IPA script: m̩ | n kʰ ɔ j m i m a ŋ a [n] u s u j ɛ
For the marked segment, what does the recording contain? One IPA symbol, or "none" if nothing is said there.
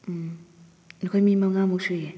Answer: m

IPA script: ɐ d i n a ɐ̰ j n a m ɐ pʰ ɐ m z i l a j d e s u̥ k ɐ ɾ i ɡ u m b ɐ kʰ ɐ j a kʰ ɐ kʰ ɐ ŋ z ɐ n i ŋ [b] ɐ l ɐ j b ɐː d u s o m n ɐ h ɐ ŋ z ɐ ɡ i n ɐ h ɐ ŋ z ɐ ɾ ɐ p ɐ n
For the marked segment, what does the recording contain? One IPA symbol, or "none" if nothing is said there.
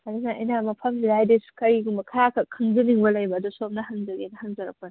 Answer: b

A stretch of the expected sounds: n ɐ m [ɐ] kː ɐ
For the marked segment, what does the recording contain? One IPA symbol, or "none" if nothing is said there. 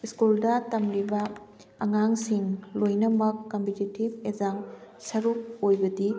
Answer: ɐ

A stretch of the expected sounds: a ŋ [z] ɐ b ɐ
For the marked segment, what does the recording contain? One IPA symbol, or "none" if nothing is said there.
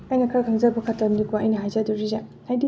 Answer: z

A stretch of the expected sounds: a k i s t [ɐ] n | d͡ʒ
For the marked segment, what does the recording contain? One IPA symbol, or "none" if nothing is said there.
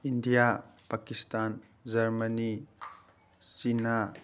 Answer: a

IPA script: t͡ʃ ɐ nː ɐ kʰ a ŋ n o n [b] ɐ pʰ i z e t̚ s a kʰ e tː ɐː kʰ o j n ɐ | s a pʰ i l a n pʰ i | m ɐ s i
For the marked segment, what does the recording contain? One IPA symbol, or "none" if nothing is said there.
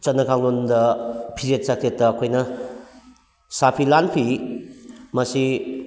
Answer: d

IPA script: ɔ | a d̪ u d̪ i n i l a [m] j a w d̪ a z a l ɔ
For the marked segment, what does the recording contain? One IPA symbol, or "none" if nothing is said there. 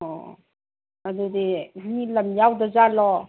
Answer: m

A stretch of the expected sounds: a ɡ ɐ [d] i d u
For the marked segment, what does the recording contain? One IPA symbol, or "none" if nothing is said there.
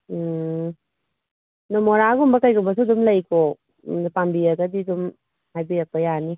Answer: d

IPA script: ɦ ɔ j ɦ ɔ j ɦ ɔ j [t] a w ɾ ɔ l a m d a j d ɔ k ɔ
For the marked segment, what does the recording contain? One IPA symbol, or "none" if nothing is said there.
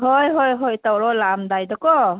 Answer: t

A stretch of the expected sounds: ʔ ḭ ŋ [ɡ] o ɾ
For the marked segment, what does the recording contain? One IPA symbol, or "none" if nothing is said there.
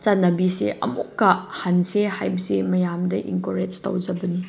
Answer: k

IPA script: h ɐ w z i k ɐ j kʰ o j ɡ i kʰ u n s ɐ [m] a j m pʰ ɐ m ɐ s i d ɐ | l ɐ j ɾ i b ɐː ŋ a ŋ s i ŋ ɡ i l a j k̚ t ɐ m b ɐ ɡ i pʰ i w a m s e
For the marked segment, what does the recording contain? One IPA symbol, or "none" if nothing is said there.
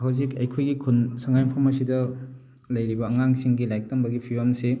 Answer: ŋ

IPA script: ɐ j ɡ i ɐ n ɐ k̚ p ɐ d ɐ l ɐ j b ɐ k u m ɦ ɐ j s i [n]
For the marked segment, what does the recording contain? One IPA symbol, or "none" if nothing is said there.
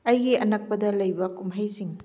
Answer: ŋ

